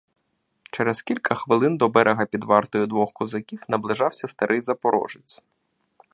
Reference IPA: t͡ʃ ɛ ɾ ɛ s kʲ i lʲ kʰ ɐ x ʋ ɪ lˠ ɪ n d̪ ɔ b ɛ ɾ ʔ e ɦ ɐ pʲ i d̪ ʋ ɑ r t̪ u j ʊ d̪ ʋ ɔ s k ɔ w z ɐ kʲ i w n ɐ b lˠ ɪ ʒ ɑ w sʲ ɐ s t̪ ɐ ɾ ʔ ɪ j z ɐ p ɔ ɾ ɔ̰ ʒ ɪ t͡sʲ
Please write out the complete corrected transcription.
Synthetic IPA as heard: t͡ʃ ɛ ɾ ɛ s kʲ i lʲ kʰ ɐ x ʋ ɪ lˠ ɪ n d̪ ɔ b ɛ ɾ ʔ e ɦ ɐ pʲ i d̪ ʋ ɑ r t̪ ɔ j ʊ d̪ ʋ ɔ x k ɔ z ɐ kʲ i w n ɐ b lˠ ɪ ʒ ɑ w sʲ ɐ s t̪ ɐ ɾ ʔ ɪ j z ɐ p ɔ ɾ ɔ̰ ʒ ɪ t͡sʲ

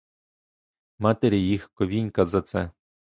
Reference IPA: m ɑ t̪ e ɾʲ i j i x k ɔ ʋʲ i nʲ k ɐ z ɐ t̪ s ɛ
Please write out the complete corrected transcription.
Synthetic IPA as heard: m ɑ t̪ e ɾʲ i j i x k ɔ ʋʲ i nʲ k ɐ z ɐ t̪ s ɛ

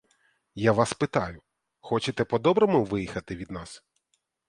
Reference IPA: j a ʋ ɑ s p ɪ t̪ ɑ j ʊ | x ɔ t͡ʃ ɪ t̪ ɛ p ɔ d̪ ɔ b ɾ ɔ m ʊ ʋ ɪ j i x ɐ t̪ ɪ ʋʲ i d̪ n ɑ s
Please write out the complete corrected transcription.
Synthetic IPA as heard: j a ʋ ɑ s p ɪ t̪ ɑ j ʊ | x ɔ t͡ʃ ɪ t̪ ɛ p ɔ d̪ ɔ b ɾ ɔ m ʊ ʋ ɪ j i x ɐ t̪ ɪ ʋʲ i d̪ n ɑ s

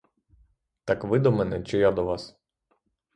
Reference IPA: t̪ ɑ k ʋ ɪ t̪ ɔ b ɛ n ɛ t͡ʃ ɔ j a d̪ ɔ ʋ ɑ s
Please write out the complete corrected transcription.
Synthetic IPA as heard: t̪ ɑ k ʋ ɪ d̪ ɔ m ɛ n ɛ t͡ʃ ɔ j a d̪ ɔ ʋ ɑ s

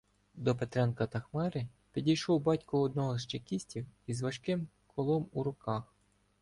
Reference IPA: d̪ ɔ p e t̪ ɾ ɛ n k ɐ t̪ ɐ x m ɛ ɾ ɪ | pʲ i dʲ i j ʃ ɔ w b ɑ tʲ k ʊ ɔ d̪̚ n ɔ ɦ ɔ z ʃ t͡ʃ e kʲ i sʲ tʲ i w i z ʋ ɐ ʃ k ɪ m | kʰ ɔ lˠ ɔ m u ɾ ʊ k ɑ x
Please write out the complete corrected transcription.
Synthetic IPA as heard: d̪ ɔ p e t̪ ɾ ɛ n k ɐ t̪ ɐ x m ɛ ɾ ɪ | pʲ i dʲ i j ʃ ɔ w b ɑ tʲ k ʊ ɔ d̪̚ n ɔ ɦ ɔ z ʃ t͡ʃ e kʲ i sʲ tʲ i w i z ʋ ɐ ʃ k ɪ m | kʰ ɔ lˠ ɔ m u ɾ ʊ k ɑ x

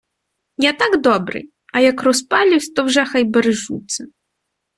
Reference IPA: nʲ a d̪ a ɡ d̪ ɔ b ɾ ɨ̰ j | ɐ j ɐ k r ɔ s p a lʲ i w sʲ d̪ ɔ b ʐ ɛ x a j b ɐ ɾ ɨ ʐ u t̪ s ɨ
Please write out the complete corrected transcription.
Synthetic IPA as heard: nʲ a t̪ a ɡ d̪ ɔ b ɾ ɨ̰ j | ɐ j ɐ k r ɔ s p a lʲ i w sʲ t̪ ɔ w ʐ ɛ x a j b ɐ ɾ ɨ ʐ u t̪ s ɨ

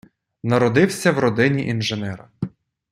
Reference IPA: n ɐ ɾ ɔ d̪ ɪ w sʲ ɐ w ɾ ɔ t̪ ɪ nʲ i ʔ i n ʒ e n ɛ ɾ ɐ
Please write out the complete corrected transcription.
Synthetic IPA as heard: n ɐ ɾ ɔ d̪ ɪ w sʲ ɐ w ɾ ɔ d̪ ɪ nʲ i ʔ i n ʒ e n ɛ ɾ ɐ

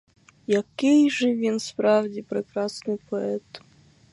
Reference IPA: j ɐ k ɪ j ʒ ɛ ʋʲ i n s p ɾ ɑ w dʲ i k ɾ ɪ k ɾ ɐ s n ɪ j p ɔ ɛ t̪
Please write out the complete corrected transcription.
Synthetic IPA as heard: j ɐ k ɪ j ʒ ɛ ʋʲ i n s p ɾ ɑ w dʲ i p ɾ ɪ k ɾ ɑ s n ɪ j p ɔ ɛ t̪

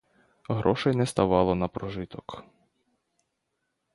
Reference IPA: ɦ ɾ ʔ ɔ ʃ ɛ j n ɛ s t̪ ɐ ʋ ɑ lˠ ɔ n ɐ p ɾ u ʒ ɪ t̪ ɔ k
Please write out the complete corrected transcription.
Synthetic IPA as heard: ɦ ɾ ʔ ɔ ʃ ɛ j n ɛ s t̪ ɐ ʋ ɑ lˠ ɔ n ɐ p ɾ ɔ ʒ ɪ t̪ ɔ k

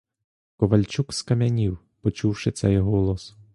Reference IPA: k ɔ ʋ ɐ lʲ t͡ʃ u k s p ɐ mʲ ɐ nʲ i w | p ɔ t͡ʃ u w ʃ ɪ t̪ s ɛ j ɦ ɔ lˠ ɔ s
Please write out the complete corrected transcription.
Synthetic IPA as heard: k ɔ ʋ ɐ lʲ t͡ʃ u k s k ɐ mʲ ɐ nʲ i w | p ɔ t͡ʃ u w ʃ ɪ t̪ s ɛ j ɦ ɔ lˠ ɔ s

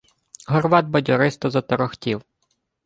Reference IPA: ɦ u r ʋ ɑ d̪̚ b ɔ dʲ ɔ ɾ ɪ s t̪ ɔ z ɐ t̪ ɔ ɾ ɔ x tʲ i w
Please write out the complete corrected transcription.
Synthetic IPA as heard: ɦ ɔ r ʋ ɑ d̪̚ b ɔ dʲ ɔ ɾ ɪ s t̪ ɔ z ɐ t̪ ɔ ɾ ɔ x tʲ i w

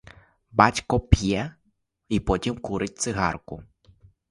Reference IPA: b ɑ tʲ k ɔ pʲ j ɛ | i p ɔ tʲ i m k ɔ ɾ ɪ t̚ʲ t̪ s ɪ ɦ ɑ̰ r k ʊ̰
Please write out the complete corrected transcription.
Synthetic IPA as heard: b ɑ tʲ k ɔ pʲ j ɛ | i p ɔ tʲ i m k u ɾ ɪ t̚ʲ t̪ s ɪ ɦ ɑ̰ r k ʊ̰

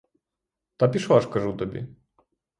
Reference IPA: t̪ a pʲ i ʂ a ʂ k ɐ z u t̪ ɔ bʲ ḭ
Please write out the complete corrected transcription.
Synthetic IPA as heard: t̪ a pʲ i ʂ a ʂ k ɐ ʐ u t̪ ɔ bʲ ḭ

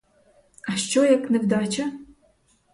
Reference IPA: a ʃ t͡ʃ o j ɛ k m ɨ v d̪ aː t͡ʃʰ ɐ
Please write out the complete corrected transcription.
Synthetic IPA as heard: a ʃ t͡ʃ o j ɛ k n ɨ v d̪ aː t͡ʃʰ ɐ

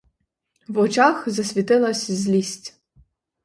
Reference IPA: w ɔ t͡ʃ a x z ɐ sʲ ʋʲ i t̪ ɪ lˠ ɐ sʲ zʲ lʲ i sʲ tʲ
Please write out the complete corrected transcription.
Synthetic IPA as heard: w ɔ t͡ʃ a x z ɐ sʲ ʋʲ i t̪ ɪ lˠ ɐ sʲ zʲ lʲ i sʲ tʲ

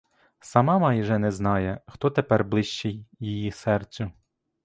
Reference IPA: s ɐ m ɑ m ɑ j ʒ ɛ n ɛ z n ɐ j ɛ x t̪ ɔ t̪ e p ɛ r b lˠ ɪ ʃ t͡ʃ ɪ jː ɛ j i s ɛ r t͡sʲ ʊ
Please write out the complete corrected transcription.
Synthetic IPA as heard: s ɐ m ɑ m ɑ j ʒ ɛ n ɛ z n ɑ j ɛ x t̪ ɔ t̪ e p ɛ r b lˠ ɪ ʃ t͡ʃ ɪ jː i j i s ɛ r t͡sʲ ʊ

